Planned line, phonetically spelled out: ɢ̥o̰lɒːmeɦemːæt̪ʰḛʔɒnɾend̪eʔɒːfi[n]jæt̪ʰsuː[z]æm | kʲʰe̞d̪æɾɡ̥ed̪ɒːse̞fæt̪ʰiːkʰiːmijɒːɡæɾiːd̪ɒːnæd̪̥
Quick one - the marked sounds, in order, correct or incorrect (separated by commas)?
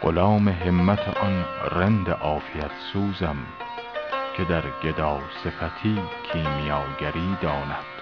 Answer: incorrect, correct